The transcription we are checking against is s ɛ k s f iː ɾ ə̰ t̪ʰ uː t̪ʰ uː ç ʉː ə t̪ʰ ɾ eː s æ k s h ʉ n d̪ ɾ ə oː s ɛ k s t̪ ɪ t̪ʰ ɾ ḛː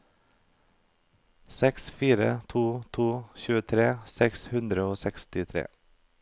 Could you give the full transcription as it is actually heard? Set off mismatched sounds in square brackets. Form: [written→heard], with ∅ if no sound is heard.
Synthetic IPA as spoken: s ɛ k s f iː ɾ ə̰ t̪ʰ uː t̪ʰ uː ç ʉː ə t̪ʰ ɾ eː s [æ→ɛ] k s h ʉ n d̪ ɾ ə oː s ɛ k s t̪ ɪ t̪ʰ ɾ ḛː